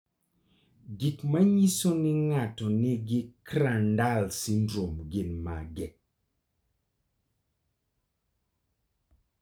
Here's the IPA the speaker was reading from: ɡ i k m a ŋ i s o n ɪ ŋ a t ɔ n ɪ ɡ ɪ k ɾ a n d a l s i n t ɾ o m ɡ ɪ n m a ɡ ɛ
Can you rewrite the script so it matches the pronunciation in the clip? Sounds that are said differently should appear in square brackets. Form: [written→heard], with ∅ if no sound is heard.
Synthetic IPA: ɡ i k m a [ŋ→ɲ] i s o n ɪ ŋ a t ɔ n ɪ ɡ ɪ k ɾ a n d a l s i n [t→d] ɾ o m ɡ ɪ n m a ɡ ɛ